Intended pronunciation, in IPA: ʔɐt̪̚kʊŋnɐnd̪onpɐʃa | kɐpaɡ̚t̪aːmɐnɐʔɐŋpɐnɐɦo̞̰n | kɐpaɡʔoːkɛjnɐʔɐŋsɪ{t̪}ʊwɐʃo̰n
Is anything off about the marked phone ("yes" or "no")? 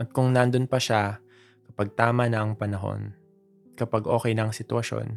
no